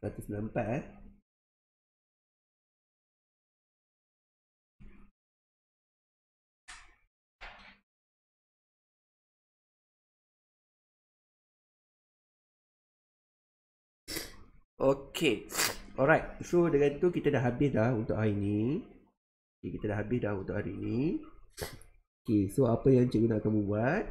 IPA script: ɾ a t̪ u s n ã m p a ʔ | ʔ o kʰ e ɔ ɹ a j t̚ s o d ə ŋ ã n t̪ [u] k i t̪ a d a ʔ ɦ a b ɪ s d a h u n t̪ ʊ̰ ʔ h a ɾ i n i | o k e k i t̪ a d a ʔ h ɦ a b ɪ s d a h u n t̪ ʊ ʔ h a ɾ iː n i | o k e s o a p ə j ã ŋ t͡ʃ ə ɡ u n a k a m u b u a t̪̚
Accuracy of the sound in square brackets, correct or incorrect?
correct